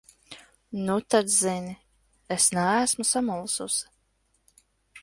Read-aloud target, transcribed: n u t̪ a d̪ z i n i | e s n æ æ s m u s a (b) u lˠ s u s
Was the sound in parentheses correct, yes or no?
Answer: no